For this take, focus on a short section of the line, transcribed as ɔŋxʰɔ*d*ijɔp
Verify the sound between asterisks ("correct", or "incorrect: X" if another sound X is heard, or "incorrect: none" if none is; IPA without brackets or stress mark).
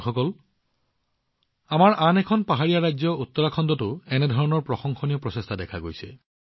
incorrect: n